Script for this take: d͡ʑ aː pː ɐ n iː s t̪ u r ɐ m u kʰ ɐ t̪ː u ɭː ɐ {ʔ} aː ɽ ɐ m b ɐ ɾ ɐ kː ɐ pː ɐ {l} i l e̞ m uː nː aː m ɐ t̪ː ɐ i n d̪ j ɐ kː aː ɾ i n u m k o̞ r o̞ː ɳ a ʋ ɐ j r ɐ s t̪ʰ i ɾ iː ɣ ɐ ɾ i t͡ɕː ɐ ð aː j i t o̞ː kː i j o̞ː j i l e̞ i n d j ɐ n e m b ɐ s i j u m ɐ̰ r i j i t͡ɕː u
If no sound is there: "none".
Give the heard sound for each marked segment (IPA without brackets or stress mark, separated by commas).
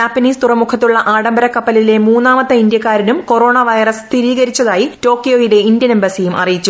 ʔ, l